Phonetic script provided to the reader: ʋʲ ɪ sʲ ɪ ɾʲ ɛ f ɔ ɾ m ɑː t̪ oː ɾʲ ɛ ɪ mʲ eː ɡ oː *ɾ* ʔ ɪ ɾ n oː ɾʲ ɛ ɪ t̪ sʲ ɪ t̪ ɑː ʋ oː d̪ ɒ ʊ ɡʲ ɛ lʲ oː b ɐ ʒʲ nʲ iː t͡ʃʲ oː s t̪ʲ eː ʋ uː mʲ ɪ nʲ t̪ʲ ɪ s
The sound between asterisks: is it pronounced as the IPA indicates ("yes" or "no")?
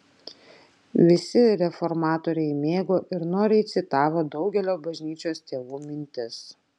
no